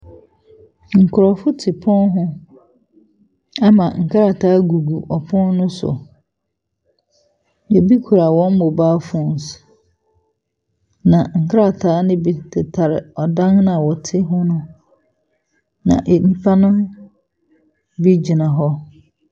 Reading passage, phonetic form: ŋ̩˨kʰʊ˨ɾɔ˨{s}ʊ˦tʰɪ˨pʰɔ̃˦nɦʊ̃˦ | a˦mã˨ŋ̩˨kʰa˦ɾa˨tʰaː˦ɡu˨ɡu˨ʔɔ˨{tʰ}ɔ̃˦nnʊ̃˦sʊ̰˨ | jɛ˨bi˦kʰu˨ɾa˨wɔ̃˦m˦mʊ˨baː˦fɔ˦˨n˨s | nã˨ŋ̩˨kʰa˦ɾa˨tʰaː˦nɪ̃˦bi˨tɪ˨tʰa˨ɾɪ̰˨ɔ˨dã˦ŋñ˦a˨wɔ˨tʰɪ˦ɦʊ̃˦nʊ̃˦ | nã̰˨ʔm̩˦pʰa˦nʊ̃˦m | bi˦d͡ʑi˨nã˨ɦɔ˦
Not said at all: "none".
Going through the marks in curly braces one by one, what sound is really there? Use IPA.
f, pʰ

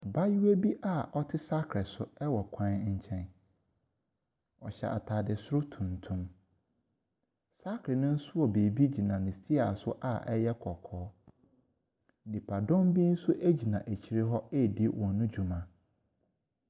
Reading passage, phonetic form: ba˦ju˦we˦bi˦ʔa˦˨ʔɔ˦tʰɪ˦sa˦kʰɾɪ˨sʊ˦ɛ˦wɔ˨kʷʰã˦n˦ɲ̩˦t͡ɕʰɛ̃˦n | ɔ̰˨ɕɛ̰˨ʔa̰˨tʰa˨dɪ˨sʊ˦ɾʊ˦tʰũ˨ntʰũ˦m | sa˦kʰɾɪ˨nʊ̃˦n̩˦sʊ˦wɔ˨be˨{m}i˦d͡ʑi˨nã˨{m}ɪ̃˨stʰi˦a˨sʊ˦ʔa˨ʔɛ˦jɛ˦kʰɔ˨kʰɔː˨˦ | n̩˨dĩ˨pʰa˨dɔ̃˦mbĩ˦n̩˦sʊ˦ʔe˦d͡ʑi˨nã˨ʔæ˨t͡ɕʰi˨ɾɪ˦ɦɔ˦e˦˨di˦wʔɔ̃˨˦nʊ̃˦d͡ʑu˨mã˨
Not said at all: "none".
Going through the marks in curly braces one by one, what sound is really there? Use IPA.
b, n

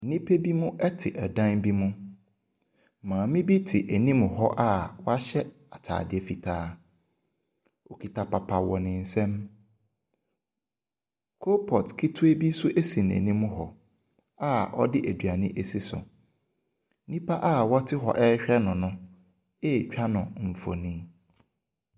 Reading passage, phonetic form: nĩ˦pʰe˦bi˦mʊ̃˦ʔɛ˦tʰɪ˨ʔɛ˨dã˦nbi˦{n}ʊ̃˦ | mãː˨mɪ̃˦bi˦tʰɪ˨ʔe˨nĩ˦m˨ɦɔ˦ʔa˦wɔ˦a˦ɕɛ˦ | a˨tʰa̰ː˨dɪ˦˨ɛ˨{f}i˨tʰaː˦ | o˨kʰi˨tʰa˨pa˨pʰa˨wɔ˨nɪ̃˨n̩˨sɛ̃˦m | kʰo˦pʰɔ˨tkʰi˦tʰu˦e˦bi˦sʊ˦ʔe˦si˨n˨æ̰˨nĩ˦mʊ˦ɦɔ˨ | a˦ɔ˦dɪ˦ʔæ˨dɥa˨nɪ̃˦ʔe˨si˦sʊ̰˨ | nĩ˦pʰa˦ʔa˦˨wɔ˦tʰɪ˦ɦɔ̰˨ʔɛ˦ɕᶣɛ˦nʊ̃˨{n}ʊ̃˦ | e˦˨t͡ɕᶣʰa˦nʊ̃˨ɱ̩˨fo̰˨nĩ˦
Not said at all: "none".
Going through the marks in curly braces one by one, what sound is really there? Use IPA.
m, f, n

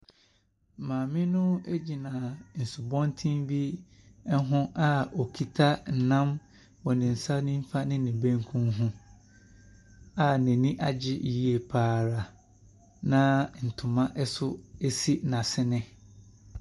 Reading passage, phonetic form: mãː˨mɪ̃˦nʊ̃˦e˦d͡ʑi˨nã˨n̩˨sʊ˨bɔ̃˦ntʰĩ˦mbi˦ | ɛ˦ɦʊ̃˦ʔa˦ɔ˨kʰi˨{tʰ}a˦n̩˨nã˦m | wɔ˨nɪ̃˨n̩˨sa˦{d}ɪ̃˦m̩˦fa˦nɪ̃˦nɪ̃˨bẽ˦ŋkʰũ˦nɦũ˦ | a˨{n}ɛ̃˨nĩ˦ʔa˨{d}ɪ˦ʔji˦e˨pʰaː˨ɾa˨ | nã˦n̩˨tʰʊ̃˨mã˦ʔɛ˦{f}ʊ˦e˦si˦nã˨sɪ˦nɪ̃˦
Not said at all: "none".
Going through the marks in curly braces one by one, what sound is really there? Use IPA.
tʰ, n, n, d͡ʑ, s

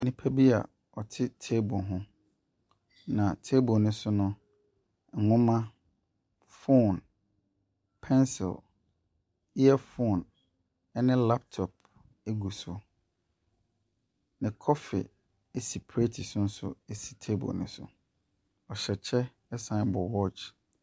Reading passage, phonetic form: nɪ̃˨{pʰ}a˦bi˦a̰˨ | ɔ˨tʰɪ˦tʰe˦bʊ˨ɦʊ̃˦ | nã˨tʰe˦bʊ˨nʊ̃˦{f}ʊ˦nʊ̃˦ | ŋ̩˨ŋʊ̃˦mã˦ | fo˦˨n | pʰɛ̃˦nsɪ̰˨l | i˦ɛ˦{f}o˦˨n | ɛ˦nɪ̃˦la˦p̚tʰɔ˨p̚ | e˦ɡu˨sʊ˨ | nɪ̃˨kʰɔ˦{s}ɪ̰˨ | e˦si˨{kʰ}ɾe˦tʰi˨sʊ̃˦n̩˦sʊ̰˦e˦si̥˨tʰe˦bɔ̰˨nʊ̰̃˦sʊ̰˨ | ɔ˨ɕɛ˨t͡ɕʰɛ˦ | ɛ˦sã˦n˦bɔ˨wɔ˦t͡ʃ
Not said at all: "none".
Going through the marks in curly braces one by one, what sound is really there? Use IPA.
pʰ, s, f, f, pʰ

